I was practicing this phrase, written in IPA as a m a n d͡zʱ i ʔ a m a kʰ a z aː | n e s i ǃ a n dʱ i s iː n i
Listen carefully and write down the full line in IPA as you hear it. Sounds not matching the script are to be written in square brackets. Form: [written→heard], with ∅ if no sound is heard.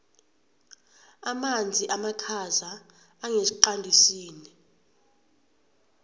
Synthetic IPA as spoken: a m a n d͡zʱ i ʔ a m a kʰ a z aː | [n→ŋ] e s i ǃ a n dʱ i s iː n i